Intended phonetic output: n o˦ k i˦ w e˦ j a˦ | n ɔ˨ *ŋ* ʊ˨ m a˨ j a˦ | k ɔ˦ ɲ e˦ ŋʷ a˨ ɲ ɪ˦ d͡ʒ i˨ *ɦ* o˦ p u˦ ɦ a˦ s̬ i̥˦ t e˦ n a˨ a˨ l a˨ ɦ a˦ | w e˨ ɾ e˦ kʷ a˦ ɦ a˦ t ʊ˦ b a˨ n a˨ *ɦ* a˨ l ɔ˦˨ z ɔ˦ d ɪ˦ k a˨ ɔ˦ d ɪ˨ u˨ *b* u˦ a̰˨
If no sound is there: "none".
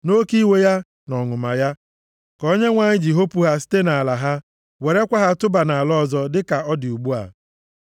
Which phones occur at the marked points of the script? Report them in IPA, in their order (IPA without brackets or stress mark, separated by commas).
ŋ, ɦ, none, ɡ͡b